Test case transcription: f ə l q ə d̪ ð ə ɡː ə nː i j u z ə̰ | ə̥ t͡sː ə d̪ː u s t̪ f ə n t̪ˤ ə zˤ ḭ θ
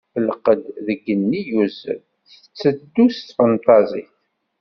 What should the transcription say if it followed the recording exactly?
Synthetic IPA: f ə l q ə d̪ ð ə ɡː ə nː i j u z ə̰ | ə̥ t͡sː ə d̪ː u s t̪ f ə n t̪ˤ ɑ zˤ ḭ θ

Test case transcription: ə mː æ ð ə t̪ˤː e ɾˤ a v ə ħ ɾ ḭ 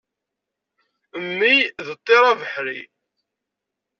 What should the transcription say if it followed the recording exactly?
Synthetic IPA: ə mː i ð ə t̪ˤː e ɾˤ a v ə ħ ɾ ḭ

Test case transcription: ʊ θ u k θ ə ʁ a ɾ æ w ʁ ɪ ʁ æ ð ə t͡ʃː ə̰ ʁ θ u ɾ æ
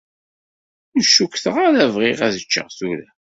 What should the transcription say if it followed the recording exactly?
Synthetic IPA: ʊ ʃ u k θ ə ʁ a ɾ æ v ʁ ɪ ʁ æ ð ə t͡ʃː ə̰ ʁ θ u ɾ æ

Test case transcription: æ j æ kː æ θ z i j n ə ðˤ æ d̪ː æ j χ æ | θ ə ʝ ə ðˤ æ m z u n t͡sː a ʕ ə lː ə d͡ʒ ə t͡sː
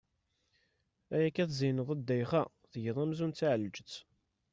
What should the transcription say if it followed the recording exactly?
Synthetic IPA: æ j æ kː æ θ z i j n ə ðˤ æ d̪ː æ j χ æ | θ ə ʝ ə ðˤ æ m z u n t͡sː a ʕ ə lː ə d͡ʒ ə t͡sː

